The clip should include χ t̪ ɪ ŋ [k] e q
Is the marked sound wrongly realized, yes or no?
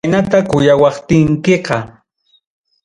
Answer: no